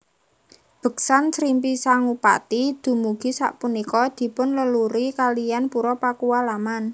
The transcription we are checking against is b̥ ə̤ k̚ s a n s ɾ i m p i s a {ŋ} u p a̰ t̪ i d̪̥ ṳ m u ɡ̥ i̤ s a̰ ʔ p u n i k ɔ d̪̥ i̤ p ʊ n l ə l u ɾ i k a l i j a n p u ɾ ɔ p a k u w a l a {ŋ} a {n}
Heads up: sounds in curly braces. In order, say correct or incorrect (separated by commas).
correct, incorrect, correct